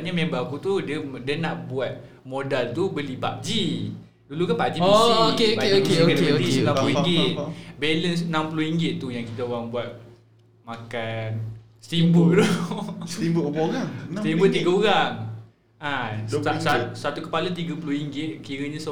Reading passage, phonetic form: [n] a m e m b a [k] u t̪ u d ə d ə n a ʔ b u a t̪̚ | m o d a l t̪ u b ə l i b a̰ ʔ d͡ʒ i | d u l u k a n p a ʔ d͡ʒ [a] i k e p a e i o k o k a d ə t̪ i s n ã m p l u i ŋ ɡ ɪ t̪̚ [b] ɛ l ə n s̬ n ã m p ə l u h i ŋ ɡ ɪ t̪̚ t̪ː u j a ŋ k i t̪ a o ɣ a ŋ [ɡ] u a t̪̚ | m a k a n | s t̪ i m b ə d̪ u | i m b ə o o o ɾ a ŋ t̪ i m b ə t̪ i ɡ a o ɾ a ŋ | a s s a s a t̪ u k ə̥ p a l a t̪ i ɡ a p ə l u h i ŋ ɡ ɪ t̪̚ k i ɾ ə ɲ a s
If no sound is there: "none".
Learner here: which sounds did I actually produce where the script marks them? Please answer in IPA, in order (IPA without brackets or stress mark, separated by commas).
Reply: ɲ, k, i, b, b